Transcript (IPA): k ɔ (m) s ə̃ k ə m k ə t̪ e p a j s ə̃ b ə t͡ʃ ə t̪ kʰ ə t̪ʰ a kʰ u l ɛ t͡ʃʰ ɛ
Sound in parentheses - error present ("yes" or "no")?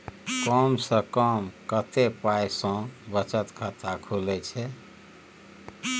no